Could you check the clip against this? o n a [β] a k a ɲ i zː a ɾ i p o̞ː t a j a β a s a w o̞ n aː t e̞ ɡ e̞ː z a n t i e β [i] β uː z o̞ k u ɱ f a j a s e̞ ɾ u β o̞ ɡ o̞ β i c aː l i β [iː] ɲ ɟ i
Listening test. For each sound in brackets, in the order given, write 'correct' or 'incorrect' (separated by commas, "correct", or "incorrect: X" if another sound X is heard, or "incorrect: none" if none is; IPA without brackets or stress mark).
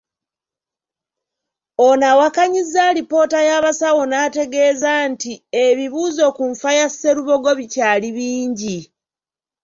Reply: incorrect: w, correct, correct